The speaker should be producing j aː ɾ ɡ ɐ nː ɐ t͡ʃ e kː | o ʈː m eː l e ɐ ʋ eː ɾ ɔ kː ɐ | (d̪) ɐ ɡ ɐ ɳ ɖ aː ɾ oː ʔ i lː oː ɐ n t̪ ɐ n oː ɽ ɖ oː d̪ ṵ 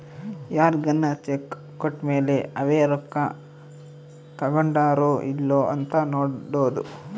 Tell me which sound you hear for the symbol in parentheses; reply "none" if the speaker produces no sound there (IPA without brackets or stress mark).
t̪